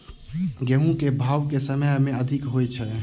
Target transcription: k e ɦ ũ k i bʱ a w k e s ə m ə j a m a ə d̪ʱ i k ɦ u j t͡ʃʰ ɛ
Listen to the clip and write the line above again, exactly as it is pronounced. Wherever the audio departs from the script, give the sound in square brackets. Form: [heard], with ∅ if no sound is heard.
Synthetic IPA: [ɡ] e ɦ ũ k [e] bʱ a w k e s ə m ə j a m [e] ə d̪ʱ i k ɦ [o] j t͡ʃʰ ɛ